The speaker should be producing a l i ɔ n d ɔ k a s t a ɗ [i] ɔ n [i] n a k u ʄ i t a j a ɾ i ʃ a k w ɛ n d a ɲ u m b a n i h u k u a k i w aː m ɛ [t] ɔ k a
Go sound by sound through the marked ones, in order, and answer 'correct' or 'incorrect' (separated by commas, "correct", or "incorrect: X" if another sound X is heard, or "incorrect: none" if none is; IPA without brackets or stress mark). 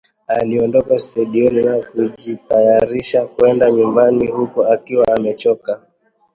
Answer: correct, correct, incorrect: t͡ʃ